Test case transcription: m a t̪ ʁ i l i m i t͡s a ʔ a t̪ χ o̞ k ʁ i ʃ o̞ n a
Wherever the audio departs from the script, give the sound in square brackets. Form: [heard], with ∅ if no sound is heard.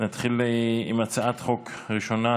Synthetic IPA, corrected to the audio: [n] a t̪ [χ] i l i m [a] t͡s a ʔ a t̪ χ o̞ k ʁ i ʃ o̞ n a

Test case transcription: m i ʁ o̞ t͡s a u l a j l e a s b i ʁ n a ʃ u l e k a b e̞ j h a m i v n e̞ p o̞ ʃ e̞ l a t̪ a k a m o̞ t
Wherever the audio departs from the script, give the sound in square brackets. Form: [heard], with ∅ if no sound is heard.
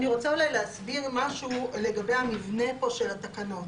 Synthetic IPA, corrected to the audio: [n] i ʁ o̞ t͡s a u l a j l e a s b i ʁ [m] a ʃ u l e [ɡ] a b e̞ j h a m i v n e̞ p o̞ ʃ e̞ l a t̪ a k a [n] o̞ t

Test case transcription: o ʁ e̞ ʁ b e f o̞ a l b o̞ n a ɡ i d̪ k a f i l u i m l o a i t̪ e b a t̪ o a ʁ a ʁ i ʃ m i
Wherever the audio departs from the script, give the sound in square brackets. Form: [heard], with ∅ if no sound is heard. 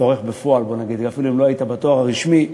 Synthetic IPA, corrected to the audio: o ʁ e̞ [χ] b e f o̞ a l b o̞ n a ɡ i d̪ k a f i l u i m l o a i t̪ [a] b a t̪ o a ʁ a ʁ i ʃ m i

